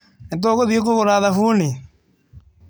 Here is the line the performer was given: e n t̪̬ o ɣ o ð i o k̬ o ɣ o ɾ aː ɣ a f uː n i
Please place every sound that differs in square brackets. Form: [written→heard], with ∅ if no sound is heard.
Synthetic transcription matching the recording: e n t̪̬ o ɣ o ð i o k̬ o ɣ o ɾ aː [ɣ→ð] a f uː n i